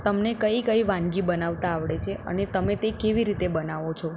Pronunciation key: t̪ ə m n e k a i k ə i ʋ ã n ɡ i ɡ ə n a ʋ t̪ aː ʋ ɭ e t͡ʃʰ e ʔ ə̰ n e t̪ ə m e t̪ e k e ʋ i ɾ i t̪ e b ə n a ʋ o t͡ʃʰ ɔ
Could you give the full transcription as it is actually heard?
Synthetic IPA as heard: t̪ ə m n e k ə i k ə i ʋ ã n ɡ i b ə n a ʋ t̪ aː ʋ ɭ e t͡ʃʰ e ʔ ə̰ n e t̪ ə m e t̪ e k e ʋ i ɾ i t̪ e b ə n a ʋ o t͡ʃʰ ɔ